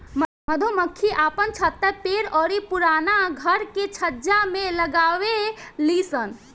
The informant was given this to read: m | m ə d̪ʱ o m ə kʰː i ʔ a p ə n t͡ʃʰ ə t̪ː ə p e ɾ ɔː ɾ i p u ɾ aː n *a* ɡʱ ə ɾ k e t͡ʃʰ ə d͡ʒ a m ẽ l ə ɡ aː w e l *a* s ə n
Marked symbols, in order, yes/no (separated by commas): yes, no